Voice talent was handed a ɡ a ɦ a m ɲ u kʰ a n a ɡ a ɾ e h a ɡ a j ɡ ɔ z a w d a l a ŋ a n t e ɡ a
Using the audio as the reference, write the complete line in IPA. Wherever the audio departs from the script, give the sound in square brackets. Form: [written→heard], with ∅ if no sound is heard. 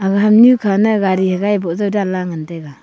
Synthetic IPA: a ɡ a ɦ a m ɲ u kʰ a n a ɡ a ɾ [e→i] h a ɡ a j [ɡ→b] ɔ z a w d a l a ŋ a n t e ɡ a

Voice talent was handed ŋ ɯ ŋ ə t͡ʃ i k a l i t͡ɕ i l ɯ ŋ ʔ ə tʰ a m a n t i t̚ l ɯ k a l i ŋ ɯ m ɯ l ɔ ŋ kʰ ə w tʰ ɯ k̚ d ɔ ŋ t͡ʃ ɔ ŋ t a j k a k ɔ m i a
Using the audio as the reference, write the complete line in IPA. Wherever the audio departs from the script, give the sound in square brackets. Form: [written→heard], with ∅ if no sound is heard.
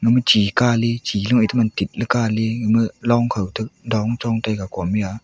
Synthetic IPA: ŋ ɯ [ŋ→m] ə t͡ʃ i k a l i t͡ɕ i l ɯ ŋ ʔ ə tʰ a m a n t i t̚ l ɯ k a l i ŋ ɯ m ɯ l ɔ ŋ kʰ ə w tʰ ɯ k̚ d ɔ ŋ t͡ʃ ɔ ŋ t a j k a k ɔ m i a

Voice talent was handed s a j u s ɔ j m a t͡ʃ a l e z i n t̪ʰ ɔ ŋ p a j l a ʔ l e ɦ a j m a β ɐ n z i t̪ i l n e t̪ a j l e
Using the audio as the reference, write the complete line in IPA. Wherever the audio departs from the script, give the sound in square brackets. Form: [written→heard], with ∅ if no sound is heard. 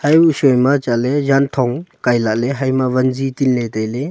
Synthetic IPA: [s→h] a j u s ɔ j m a t͡ʃ a l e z [i→a] n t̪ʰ ɔ ŋ [p→k] a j l a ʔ l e ɦ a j m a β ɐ n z i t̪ i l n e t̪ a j l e

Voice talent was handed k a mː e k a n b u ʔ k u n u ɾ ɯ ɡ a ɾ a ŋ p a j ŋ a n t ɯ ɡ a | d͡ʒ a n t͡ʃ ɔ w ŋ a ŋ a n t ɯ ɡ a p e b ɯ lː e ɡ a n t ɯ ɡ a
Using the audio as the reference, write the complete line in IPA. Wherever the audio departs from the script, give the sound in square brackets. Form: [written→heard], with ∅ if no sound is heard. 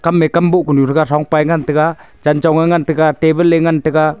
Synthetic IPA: k a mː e k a [n→m] b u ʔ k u n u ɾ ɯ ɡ a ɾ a ŋ p a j ŋ a n t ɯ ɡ a | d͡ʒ a n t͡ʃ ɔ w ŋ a ŋ a n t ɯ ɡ a [p→t] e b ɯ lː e [ɡ→ŋ] a n t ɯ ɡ a

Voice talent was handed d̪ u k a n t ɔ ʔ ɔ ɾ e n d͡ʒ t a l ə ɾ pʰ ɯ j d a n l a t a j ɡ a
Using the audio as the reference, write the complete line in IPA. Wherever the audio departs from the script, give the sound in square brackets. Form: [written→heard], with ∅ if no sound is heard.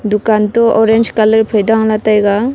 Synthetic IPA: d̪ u k a n t ɔ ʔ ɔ ɾ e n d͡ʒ [t→k] a l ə ɾ pʰ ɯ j d a [n→ŋ] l a t a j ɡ a

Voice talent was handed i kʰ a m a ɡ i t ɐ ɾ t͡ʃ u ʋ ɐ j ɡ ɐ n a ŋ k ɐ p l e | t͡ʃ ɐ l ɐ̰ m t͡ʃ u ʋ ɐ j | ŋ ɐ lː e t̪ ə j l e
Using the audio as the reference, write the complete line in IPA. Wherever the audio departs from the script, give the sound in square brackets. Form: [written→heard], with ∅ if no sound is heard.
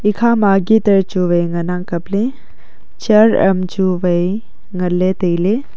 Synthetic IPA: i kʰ a m a ɡ i t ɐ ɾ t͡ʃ u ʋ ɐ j [ɡ→ŋ] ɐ n a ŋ k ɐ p l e | t͡ʃ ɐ [l→ɾ] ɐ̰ m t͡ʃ u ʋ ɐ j | ŋ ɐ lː e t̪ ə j l e

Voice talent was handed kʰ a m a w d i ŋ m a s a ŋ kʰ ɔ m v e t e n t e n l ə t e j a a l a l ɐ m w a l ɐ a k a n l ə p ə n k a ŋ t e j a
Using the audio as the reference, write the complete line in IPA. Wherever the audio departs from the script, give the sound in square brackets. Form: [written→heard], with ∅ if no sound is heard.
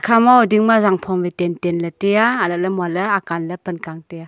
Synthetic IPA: kʰ a m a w d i ŋ m a [s→z] a ŋ [kʰ→pʰ] ɔ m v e t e n t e n l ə t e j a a l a l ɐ m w a l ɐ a k a n l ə p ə n k a ŋ t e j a

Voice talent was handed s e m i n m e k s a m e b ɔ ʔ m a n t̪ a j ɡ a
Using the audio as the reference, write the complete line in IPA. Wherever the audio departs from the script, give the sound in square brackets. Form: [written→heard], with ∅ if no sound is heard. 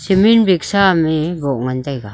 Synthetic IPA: s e m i n [m→b] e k s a m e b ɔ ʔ [m→ŋ] a n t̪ a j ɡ a

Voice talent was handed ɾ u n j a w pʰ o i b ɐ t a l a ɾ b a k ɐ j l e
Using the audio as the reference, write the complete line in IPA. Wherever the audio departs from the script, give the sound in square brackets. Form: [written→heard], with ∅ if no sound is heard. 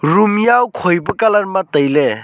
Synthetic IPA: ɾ u [n→m] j a w [pʰ→kʰ] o [i→j] b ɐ [t→k] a l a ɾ [b→m] a [k→t] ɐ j l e

